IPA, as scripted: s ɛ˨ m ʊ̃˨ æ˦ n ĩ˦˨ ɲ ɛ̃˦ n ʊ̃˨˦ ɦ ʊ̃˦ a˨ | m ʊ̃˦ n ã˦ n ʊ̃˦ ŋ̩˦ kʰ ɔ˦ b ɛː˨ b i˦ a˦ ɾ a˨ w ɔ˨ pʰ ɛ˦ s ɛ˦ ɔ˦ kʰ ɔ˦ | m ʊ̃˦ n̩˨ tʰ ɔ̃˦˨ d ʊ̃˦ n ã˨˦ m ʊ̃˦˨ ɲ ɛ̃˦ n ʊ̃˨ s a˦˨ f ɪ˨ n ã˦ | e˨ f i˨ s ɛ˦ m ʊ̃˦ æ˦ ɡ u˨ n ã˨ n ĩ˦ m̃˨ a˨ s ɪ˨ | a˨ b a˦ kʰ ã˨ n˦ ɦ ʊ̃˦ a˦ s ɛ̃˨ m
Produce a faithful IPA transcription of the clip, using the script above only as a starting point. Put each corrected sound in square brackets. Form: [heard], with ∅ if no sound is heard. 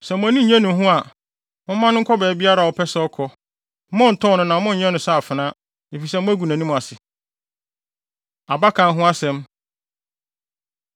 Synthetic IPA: s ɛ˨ m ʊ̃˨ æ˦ n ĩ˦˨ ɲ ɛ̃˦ n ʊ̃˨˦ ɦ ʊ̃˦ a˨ | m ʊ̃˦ [m] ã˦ n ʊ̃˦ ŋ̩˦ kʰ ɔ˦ b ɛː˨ b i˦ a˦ ɾ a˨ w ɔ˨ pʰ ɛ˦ s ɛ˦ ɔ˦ kʰ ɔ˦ | m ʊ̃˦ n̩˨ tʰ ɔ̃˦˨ [n] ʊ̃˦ n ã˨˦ m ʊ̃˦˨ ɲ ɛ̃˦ n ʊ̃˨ s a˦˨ f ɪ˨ n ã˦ | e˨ f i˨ s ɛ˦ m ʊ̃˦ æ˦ ɡ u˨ n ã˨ n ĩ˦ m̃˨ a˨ s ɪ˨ | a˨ b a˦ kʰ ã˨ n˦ ɦ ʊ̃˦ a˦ s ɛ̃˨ m